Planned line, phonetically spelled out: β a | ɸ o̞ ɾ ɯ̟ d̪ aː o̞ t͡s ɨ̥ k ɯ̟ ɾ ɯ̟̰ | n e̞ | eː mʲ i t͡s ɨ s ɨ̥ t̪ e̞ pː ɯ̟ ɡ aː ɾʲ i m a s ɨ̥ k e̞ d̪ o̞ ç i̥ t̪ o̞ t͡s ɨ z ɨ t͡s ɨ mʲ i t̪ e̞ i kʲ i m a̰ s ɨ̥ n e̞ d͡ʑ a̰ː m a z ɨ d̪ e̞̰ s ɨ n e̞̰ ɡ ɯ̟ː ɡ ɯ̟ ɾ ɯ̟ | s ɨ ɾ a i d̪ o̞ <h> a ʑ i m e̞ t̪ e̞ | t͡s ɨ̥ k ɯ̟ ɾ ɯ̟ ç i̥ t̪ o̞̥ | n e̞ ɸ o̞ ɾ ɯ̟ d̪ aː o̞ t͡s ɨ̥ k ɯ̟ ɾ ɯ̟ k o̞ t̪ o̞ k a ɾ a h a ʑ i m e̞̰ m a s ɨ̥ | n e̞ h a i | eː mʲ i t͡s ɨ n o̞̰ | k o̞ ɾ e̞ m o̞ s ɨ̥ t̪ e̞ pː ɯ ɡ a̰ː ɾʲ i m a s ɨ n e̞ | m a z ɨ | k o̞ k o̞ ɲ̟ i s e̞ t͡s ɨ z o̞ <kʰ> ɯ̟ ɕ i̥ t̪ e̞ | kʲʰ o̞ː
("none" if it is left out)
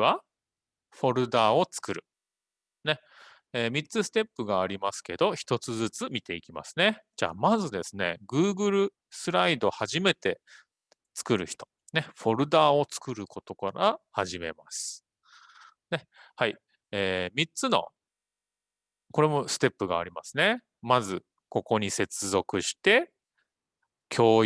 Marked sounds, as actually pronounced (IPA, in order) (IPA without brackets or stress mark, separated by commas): h, k